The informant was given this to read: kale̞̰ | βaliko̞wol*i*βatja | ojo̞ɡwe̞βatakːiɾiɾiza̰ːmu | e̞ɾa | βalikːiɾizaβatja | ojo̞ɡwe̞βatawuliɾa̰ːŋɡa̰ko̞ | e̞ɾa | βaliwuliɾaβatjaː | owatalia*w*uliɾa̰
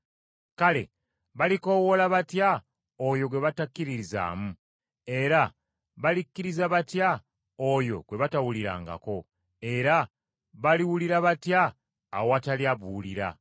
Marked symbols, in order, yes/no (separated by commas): no, no